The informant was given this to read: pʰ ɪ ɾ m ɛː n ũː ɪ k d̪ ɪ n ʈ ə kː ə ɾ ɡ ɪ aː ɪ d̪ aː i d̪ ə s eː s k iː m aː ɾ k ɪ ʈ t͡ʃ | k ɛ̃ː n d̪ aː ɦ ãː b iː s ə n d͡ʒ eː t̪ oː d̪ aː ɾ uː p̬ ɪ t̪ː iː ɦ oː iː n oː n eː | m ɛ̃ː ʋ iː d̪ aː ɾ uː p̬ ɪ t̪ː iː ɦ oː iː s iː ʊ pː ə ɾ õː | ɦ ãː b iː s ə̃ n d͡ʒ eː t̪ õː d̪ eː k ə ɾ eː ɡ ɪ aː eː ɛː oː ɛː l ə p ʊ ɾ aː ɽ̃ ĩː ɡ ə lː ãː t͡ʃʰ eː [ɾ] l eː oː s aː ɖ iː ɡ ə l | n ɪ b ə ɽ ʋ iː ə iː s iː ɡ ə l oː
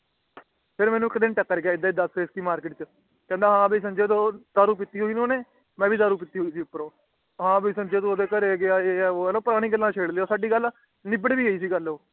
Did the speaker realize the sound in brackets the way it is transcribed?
no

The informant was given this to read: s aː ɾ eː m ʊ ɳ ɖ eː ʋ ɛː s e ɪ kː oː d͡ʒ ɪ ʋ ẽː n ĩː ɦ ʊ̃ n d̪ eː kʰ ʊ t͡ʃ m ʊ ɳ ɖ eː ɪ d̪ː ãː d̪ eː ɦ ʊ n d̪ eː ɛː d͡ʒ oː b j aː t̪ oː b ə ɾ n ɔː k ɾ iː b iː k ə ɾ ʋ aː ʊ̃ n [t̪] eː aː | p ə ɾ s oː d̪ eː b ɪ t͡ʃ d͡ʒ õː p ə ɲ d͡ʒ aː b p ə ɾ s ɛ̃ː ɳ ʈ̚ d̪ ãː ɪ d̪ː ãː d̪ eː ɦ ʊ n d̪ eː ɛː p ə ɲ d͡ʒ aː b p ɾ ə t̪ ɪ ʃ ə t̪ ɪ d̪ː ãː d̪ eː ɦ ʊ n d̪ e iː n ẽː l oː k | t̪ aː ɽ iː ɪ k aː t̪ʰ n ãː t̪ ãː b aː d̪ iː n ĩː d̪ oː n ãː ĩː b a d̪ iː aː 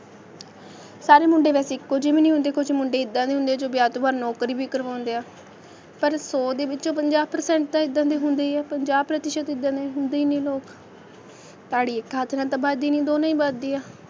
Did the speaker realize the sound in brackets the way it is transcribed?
no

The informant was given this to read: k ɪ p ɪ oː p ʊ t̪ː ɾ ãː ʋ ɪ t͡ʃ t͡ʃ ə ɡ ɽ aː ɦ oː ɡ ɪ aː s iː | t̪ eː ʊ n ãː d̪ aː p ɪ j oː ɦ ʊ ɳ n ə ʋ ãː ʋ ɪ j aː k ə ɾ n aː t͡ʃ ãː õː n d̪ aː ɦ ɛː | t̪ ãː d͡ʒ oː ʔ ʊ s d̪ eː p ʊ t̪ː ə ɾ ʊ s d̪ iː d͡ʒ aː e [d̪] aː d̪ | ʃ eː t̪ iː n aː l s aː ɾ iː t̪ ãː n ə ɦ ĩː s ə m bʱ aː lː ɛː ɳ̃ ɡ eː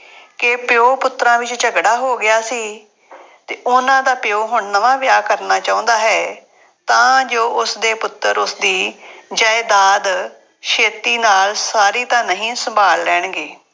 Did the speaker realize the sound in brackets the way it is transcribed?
yes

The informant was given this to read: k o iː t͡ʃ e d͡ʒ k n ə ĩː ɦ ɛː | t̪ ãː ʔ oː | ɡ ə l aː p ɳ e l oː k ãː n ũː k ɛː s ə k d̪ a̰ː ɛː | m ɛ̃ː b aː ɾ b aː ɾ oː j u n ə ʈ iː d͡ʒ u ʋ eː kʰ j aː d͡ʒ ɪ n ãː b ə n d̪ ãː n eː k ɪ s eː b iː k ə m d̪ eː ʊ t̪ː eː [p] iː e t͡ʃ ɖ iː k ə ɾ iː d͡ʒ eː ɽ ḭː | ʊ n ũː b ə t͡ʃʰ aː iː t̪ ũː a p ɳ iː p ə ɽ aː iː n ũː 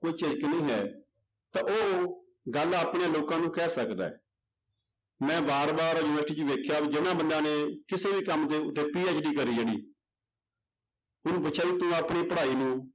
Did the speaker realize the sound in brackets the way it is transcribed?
yes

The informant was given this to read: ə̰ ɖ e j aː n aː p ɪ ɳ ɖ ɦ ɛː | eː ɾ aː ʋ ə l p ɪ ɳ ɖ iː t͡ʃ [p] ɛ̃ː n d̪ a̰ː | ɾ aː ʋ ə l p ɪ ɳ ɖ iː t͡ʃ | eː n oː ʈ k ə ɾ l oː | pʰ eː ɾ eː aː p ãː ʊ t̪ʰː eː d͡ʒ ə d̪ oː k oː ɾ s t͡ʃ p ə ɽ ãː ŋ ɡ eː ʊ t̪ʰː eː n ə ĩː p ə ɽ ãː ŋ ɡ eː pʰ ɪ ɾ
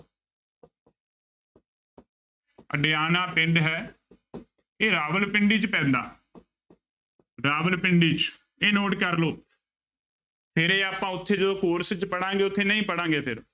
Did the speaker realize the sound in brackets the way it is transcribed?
yes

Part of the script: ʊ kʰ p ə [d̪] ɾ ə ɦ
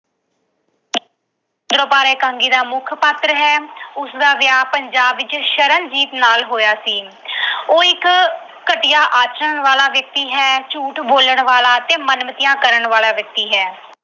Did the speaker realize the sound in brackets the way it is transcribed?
no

